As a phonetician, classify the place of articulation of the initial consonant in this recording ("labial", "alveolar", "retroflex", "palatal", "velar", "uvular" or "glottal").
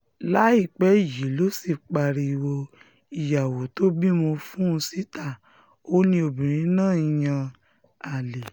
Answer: alveolar